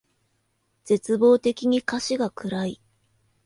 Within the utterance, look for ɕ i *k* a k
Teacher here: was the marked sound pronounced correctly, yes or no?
no